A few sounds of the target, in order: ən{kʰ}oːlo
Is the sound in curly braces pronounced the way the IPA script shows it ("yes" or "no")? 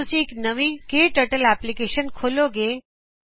yes